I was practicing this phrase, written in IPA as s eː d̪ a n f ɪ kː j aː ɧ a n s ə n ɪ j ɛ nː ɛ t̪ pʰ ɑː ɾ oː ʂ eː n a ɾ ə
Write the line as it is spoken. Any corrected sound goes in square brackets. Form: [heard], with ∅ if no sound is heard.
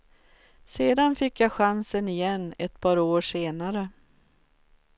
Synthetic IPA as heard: s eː d̪ a n f ɪ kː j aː ɧ a n s ə n ɪ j ɛ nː ɛ t̪ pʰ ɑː ɾ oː ʂ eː n a ɾ ə